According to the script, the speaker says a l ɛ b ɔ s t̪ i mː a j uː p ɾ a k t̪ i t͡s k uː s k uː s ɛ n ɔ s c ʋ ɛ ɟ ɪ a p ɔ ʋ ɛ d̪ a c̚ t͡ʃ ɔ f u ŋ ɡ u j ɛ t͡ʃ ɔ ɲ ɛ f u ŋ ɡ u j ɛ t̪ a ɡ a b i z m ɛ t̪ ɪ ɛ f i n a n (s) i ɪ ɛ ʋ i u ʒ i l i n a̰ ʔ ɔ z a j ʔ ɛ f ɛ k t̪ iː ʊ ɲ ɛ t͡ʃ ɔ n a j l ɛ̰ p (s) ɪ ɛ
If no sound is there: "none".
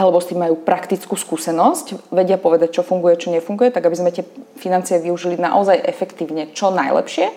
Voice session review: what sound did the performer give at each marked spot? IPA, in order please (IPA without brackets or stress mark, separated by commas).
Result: t͡s, ʃ